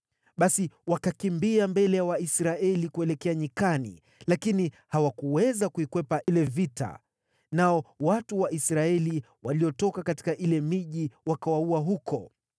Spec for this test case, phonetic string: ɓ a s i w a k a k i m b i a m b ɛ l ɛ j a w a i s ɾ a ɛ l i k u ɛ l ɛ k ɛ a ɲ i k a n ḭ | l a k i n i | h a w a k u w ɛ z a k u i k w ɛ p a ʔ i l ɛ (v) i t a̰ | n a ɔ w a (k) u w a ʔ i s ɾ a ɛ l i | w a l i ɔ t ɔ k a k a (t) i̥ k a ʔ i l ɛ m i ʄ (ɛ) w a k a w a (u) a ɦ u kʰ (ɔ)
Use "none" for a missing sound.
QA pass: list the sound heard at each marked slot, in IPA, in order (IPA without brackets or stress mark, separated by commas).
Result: v, t, t, i, u, ɔ